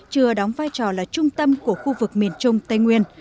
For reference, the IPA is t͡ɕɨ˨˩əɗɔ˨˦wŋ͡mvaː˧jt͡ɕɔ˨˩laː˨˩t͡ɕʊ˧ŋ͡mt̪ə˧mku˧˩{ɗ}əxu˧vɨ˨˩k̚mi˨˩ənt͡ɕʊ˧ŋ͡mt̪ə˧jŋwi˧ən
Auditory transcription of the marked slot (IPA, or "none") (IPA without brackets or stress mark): none